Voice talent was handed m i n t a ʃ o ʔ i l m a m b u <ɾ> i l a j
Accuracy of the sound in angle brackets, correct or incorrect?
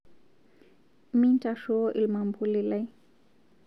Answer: incorrect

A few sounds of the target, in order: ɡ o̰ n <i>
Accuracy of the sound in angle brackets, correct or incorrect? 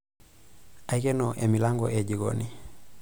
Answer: correct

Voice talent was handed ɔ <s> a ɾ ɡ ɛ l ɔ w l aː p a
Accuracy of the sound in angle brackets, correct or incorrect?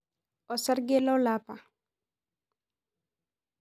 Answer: correct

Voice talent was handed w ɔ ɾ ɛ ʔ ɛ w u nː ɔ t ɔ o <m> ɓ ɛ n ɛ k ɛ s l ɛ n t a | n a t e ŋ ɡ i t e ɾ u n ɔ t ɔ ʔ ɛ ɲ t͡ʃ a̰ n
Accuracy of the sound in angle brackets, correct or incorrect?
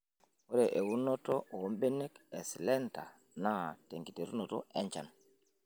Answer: correct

